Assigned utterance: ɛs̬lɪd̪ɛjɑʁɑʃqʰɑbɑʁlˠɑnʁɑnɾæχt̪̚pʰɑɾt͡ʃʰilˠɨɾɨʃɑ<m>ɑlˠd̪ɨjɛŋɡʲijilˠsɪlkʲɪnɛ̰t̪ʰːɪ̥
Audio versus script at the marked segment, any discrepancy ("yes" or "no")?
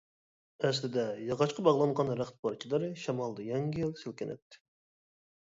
no